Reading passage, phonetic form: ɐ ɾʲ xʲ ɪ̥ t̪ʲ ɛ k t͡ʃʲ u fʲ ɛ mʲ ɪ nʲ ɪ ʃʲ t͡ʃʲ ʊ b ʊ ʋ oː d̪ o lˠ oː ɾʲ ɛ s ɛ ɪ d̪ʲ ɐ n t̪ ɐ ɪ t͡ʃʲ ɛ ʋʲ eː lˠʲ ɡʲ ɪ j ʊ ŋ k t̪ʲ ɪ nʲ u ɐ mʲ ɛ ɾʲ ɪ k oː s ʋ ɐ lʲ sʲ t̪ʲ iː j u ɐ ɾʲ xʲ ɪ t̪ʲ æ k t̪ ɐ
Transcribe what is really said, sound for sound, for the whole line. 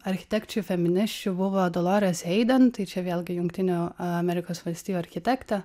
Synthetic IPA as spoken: ɐ ɾʲ xʲ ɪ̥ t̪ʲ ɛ k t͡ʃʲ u fʲ ɛ mʲ ɪ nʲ ɪ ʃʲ t͡ʃʲ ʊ b ʊ ʋ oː d̪ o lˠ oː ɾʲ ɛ s ɛ ɪ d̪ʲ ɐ n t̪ ɐ ɪ t͡ʃʲ ɛ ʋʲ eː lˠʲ ɡʲ ɪ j ʊ ŋ k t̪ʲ ɪ nʲ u ɐ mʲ ɛ ɾʲ ɪ k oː s ʋ ɐ lʲ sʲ t̪ʲ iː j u ɐ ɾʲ xʲ ɪ t̪ʲ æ k t̪ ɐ